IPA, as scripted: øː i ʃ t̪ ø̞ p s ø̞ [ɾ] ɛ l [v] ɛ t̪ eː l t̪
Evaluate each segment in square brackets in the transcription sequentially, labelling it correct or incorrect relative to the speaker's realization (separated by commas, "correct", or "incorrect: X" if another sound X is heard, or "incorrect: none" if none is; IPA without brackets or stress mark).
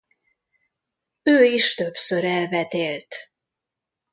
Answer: correct, correct